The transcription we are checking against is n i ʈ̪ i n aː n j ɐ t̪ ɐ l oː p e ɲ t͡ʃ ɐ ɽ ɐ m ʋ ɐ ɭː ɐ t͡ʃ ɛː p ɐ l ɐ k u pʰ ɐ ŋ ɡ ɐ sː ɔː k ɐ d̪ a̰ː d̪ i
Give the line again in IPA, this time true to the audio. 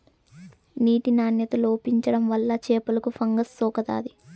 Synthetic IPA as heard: n iː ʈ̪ i n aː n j ɐ t̪ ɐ l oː p i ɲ t͡ʃ ɐ ɽ ɐ m ʋ ɐ lː ɐ t͡ʃ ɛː p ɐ l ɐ k u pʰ ɐ ŋ ɡ ɐ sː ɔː k ɐ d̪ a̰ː d̪ i